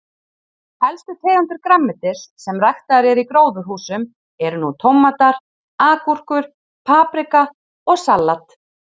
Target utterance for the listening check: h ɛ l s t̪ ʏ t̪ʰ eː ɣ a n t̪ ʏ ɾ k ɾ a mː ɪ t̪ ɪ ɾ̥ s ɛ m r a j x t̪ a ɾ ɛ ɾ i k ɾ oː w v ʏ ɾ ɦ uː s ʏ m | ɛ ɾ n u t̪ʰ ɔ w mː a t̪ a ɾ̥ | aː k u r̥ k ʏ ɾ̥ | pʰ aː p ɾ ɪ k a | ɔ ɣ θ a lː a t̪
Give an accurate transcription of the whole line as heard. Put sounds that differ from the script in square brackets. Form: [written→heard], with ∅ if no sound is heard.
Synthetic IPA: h ɛ l s t̪ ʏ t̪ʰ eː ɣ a n t̪ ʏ ɾ k ɾ a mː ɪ t̪ ɪ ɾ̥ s ɛ m r a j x t̪ a ɾ ɛ ɾ i k ɾ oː w [v→ð] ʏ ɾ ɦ uː s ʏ m | ɛ ɾ n u t̪ʰ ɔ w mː a t̪ a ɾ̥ | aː k u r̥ k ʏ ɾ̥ | pʰ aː p ɾ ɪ k a | ɔ ɣ [θ→s] a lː a t̪